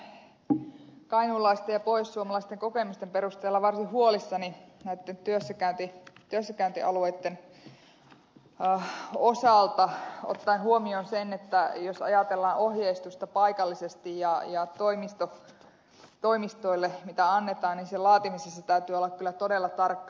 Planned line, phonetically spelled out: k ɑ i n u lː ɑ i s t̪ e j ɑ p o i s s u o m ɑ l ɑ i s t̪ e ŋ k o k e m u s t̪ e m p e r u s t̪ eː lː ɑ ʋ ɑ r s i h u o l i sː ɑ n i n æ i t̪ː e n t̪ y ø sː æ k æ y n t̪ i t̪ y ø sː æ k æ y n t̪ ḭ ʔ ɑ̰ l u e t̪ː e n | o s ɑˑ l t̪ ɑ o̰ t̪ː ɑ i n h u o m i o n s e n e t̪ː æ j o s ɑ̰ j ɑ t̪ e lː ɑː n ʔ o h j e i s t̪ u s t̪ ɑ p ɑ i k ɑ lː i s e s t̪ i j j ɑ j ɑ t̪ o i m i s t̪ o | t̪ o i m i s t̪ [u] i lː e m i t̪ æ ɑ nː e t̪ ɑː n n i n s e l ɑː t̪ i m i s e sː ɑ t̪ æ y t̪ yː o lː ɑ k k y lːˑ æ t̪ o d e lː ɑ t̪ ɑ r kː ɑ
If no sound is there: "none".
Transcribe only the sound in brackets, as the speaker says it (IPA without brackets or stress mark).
o